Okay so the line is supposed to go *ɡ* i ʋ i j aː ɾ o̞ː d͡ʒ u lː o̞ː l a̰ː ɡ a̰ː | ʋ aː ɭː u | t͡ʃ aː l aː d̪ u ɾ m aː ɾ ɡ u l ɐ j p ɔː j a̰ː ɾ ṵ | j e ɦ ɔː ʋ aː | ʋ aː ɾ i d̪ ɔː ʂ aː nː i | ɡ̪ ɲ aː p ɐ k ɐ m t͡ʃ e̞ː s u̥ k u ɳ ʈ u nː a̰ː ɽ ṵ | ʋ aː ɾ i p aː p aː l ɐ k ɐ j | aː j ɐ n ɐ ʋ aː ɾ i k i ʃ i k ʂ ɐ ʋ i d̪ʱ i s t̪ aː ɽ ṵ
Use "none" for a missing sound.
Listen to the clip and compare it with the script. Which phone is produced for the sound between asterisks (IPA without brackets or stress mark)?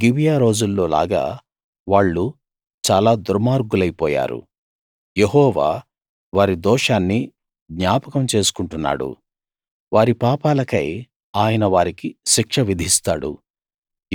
ɡ